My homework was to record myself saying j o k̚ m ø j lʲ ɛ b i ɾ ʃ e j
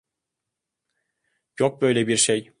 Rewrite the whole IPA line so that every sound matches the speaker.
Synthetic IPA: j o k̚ b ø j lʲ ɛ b i ɾ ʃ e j